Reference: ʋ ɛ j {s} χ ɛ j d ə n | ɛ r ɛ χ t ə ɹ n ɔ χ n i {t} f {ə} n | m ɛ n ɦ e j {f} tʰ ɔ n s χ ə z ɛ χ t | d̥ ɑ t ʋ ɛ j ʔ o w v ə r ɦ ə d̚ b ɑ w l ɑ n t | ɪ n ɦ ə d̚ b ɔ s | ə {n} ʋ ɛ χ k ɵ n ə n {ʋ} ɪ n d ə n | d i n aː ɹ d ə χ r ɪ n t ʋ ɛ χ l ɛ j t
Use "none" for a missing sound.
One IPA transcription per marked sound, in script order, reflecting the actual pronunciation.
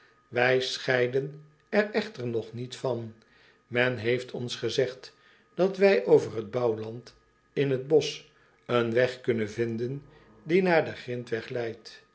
s, t, ɑ, f, n, v

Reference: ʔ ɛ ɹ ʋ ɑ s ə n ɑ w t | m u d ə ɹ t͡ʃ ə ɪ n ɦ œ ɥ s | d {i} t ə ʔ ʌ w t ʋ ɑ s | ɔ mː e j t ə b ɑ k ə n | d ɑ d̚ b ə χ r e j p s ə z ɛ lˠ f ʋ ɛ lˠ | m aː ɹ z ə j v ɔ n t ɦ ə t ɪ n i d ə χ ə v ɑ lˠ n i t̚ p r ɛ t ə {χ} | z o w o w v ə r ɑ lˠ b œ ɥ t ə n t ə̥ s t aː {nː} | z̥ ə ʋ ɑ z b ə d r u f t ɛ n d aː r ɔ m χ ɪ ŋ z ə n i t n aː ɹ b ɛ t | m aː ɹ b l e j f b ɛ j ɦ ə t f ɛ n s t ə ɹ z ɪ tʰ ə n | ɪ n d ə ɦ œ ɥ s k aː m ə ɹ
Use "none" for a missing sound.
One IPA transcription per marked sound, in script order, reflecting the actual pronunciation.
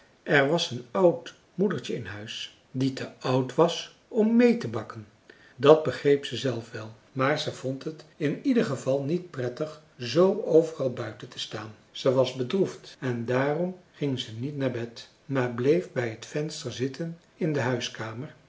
i, χ, n

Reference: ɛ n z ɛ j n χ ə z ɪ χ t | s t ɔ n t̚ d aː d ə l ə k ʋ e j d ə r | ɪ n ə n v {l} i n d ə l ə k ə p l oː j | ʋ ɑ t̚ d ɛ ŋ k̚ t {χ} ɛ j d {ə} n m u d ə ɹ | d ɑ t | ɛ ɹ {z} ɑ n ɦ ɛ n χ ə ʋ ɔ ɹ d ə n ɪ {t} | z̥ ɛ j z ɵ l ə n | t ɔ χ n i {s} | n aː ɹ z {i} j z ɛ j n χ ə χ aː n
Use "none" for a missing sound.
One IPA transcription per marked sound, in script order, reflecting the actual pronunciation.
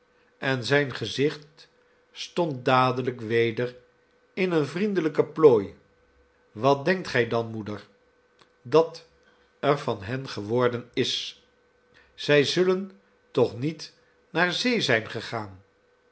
r, χ, ɑ, v, s, t, e

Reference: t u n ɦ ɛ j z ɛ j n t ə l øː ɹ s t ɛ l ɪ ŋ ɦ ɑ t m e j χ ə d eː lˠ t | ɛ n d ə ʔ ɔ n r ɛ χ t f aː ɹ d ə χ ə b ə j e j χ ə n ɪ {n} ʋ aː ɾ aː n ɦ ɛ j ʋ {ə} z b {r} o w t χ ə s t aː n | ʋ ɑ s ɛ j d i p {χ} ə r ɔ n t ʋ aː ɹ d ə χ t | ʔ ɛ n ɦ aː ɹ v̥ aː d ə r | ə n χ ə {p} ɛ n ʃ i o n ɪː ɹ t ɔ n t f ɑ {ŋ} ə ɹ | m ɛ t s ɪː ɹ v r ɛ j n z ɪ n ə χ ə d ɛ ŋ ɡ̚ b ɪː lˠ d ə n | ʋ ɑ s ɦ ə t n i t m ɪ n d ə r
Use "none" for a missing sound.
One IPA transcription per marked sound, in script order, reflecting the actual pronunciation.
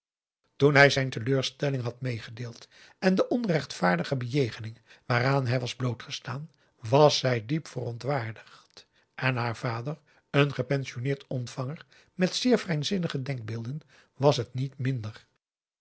ŋ, ɑ, l, f, p, ŋ

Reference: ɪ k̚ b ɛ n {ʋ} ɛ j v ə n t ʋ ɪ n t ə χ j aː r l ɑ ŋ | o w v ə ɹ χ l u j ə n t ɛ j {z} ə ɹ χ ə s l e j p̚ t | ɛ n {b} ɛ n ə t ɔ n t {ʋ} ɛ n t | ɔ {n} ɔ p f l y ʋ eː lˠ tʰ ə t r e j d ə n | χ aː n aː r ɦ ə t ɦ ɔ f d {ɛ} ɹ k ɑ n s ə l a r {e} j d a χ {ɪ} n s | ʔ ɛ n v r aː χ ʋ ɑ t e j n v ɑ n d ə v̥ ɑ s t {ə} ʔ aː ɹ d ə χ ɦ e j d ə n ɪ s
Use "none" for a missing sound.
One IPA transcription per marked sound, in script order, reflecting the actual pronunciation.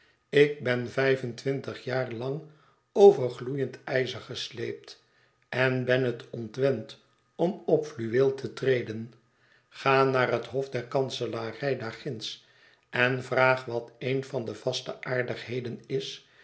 v, z, b, ʋ, m, ɛ, ɛ, ɪ, ə

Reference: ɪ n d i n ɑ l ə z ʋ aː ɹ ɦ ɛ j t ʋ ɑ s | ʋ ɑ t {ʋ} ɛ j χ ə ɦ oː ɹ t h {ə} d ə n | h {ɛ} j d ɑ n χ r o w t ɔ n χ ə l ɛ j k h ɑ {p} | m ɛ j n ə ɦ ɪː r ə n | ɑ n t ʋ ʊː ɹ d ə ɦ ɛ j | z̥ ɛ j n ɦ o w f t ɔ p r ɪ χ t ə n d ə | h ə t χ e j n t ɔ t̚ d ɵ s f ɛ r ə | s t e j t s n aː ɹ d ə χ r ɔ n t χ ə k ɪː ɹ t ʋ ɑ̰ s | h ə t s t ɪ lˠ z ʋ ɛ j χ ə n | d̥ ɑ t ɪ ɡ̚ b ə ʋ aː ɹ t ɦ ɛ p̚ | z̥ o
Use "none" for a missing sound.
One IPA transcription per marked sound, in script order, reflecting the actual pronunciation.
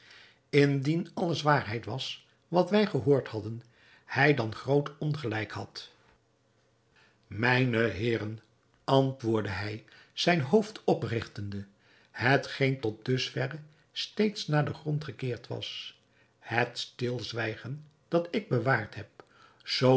ʋ, ɑ, ɛ, t

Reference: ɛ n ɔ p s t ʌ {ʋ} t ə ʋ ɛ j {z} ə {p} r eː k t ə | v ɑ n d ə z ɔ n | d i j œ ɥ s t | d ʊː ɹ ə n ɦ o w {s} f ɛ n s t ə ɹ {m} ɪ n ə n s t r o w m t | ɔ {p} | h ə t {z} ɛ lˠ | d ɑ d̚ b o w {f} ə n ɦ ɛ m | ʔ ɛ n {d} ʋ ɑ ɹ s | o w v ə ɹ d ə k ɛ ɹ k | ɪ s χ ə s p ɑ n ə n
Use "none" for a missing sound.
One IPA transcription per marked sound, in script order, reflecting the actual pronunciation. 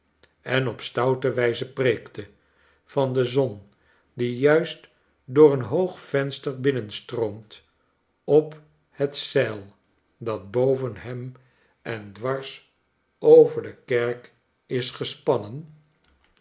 w, z, p, χ, b, p, s, v, d

